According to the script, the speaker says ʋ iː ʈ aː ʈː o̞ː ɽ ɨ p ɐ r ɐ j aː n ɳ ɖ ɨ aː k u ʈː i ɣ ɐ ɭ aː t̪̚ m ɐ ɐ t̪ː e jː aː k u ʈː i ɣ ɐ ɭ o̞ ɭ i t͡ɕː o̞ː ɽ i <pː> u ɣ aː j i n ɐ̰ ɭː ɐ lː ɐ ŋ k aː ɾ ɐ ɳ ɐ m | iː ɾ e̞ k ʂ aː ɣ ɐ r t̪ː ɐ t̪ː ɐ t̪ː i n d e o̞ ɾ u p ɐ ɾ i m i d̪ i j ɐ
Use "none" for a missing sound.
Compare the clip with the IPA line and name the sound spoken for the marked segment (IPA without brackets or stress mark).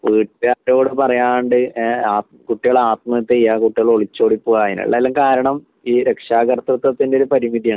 pː